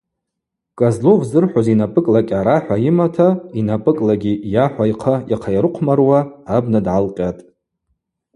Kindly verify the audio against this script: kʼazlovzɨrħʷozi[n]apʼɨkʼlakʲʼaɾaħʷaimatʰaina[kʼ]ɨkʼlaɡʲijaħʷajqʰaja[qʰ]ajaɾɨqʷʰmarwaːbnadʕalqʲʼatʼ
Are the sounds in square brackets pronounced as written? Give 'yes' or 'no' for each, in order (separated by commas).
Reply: yes, no, yes